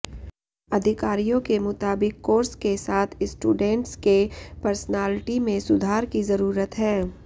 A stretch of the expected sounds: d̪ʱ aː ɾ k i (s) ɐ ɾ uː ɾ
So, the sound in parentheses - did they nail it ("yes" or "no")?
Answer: no